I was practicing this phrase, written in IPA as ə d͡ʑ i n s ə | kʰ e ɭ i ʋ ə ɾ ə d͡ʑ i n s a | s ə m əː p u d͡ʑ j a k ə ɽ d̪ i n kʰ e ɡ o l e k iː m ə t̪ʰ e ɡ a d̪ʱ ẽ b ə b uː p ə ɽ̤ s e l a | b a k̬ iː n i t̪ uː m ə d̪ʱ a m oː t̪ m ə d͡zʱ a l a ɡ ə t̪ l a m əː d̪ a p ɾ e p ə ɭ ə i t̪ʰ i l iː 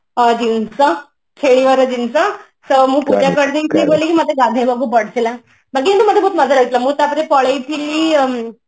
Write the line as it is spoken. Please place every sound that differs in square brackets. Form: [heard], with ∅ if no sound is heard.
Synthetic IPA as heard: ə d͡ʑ i n s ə | kʰ e ɭ i ʋ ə ɾ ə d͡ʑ i n s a | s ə m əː p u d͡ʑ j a k ə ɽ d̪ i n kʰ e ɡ o l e k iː m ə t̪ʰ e ɡ a d̪ʱ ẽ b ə [ɡ] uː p ə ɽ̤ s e l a | b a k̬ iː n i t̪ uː m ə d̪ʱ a [b] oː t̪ m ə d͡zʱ a l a ɡ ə t̪ l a m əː [t̪] a p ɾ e p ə ɭ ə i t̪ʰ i l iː